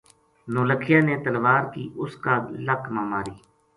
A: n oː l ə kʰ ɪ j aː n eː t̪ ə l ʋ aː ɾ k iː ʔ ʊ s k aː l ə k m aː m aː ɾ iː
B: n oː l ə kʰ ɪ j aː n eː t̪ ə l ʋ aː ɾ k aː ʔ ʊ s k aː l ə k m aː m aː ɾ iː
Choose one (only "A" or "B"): A